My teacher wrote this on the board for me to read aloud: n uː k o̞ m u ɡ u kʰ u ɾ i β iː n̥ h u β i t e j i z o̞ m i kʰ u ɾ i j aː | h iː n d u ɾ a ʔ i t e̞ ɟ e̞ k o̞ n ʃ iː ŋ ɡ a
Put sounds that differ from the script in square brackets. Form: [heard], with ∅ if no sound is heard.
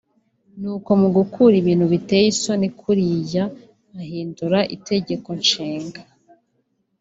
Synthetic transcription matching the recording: n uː k o̞ m u ɡ u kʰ u ɾ i β iː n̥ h u β i t e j i [s] o̞ [n] i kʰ u ɾ i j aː | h iː n d u ɾ a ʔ i t e̞ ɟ e̞ k o̞ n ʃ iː ŋ ɡ a

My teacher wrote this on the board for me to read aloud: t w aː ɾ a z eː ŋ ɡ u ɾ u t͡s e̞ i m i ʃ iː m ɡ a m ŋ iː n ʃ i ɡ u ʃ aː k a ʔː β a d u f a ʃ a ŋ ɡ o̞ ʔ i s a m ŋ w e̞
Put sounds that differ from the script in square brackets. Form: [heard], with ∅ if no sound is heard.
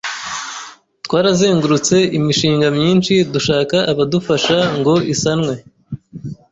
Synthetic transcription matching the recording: t w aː ɾ a z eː ŋ ɡ u ɾ u t͡s e̞ i m i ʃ iː [ŋ] ɡ a m [ɲ] iː n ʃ i [d] u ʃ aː k a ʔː β a d u f a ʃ a ŋ ɡ o̞ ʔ i s a [n] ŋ w e̞

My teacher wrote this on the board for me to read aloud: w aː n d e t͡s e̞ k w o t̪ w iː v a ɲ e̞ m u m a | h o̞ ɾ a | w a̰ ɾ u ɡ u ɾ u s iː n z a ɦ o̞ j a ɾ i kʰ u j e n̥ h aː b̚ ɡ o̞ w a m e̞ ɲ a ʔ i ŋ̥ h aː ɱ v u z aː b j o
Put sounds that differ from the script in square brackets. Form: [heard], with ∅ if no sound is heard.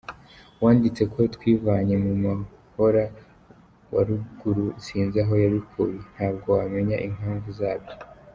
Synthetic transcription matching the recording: w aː n d [i] t͡s e̞ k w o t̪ w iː v a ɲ e̞ m u m a | h o̞ ɾ a | w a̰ ɾ u ɡ u ɾ u s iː n z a ɦ o̞ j a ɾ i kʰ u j e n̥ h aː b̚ ɡ o̞ w a m e̞ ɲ a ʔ i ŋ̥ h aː ɱ v u z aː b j o

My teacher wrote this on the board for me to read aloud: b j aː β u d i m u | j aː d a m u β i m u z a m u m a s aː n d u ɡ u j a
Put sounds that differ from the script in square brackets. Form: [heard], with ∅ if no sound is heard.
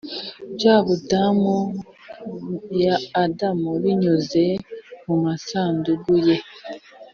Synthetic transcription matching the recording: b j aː β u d [a] m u | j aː d a m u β i [ɲ] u z [e] m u m a s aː n d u ɡ u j [e]

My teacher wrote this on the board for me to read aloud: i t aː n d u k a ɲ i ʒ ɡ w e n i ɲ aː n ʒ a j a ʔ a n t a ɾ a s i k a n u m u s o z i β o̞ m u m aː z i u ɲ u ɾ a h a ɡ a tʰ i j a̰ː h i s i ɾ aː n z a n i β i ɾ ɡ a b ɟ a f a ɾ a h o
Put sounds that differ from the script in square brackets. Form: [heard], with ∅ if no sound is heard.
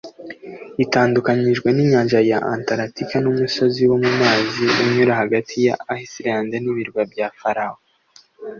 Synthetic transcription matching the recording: i t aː n d u k a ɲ i ʒ ɡ w e n i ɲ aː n ʒ a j a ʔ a n t a ɾ a [t] i k a n u m u s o z i [w] o̞ m u m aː z i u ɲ u ɾ a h a ɡ a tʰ i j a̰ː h i s i ɾ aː n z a n i β i ɾ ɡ a b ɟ a f a ɾ a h o

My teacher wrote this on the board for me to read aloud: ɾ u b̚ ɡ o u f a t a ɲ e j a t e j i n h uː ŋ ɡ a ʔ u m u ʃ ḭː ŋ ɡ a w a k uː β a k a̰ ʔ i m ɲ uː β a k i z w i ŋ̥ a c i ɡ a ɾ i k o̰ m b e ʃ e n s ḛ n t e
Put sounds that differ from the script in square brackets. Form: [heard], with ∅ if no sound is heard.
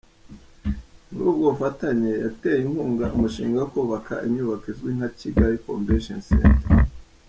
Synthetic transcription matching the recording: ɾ u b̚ ɡ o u f a t a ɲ e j a t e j i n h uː ŋ ɡ a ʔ u m u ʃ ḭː ŋ ɡ a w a k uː β a k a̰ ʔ i m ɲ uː β a k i z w i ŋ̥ a c i ɡ a ɾ i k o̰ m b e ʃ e n s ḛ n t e

